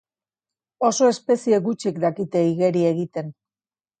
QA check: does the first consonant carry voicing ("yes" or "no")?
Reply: no